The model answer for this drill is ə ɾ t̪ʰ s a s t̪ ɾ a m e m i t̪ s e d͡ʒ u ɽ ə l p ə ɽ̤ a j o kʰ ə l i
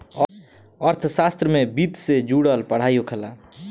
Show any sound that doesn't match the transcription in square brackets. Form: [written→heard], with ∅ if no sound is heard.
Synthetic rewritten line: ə ɾ t̪ʰ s a s t̪ ɾ [a→ə] m e [m→b] i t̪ s e d͡ʒ u ɽ ə l p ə ɽ̤ a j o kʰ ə l [i→a]

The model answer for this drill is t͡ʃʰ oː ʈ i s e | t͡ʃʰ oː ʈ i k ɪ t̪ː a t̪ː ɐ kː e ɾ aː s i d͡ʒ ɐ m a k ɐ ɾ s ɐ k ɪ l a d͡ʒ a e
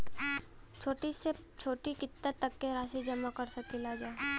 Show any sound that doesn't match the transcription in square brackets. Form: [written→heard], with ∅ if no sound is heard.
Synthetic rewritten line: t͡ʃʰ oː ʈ i s e | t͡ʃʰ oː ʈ i k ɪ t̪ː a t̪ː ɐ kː e ɾ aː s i d͡ʒ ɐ m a k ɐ ɾ s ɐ k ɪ l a d͡ʒ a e

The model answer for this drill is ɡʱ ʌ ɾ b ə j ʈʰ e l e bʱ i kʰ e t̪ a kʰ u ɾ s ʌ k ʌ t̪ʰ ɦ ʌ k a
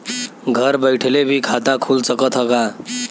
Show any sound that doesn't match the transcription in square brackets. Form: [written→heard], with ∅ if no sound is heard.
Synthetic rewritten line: ɡʱ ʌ ɾ b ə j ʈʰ e l e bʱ i kʰ [e→a] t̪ a kʰ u [ɾ→l] s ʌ k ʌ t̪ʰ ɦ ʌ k a

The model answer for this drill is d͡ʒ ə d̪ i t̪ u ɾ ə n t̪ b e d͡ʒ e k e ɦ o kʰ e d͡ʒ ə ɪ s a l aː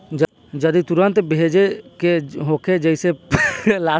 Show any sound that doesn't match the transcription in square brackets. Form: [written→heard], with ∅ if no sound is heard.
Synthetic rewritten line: d͡ʒ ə d̪ i t̪ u ɾ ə n t̪ b e d͡ʒ e k e ɦ o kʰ e d͡ʒ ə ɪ s [a→e] l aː

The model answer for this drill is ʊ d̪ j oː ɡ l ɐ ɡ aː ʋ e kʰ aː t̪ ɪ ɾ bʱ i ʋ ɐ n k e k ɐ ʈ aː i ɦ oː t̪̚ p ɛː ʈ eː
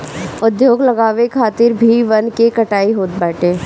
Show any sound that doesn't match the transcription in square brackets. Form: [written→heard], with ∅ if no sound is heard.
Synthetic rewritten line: ʊ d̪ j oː ɡ l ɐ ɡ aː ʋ e kʰ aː t̪ ɪ ɾ bʱ i ʋ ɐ n k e k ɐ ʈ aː i ɦ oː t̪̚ [p→b] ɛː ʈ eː

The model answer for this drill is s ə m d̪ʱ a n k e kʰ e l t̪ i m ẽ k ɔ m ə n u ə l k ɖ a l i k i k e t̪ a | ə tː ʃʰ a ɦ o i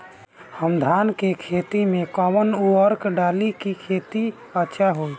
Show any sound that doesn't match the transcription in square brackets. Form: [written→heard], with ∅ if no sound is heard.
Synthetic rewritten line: [s→h] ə m d̪ʱ a n k e kʰ e [l→∅] t̪ i m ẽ k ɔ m ə n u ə [l→ɾ] k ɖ a l i k i [k→kʰ] e t̪ [a→i] | ə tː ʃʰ a ɦ o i

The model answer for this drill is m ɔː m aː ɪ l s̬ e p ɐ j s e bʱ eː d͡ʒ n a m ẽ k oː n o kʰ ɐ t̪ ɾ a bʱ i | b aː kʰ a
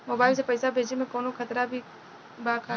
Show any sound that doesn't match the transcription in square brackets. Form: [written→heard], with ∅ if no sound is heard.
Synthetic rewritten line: m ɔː [m→b] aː ɪ l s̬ e p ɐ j s [e→a] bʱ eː d͡ʒ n [a→e] m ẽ k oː n o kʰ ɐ t̪ ɾ a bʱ i | b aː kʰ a

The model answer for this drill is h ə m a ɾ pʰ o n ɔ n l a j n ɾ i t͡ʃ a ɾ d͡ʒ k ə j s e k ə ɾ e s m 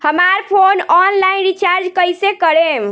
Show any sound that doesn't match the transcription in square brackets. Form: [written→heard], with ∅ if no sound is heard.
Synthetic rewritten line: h ə m a ɾ pʰ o n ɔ n l a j n ɾ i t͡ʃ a ɾ d͡ʒ k ə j s e k ə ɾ e [s→∅] m

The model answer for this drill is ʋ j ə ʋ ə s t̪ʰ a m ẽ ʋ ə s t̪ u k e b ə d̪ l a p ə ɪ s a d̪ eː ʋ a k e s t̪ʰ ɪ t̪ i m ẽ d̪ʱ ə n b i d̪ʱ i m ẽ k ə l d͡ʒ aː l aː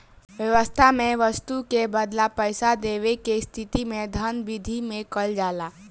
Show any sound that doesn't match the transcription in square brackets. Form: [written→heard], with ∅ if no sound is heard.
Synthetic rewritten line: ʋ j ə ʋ ə s t̪ʰ a m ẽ ʋ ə s t̪ u k e b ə d̪ l a p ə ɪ s a d̪ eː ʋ [a→e] k e s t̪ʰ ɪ t̪ i m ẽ d̪ʱ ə n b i d̪ʱ i m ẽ k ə l d͡ʒ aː l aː

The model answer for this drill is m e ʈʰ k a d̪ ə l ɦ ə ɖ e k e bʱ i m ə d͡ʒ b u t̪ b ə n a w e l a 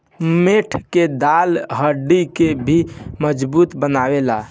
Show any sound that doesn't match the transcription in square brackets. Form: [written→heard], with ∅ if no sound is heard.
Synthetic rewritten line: m e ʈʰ k [a→e] d̪ [ə→a] l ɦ ə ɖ [e→i] k e bʱ i m ə d͡ʒ b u t̪ b ə n a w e l a

